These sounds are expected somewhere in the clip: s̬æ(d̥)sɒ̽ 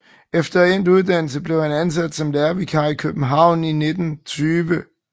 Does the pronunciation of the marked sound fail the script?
no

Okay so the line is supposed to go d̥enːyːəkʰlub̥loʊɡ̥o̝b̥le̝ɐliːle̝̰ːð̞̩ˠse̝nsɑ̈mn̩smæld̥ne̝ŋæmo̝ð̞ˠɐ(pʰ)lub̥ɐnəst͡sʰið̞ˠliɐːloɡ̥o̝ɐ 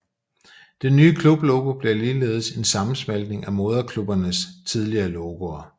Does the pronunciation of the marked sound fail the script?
yes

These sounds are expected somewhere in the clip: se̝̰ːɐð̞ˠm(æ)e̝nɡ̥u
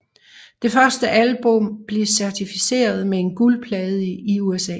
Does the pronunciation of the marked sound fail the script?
yes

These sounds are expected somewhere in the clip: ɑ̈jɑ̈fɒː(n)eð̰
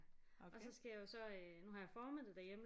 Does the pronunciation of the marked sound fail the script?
yes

